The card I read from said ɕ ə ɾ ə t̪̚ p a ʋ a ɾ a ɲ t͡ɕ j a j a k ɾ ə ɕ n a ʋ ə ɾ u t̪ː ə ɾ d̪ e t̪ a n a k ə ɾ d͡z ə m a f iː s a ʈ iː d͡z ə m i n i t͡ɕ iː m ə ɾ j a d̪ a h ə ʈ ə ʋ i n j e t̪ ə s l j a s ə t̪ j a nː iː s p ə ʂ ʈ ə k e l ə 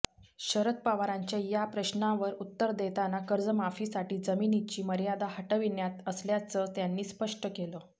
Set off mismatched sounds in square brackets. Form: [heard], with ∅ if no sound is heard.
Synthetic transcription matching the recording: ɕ ə ɾ ə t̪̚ p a ʋ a ɾ a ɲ t͡ɕ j a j a [p] ɾ ə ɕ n a ʋ ə ɾ u t̪ː ə ɾ d̪ e t̪ a n a k ə ɾ d͡z ə m a f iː s a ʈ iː d͡z ə m i n i t͡ɕ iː m ə ɾ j a d̪ a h ə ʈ ə ʋ i n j [a] t̪ ə s l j a [t͡s] ə t̪ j a nː iː s p ə ʂ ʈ ə k e l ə